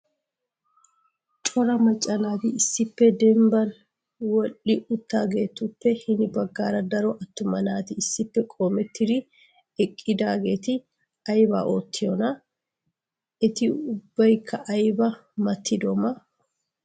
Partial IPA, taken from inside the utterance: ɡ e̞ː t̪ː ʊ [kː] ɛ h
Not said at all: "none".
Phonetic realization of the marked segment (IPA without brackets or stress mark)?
pː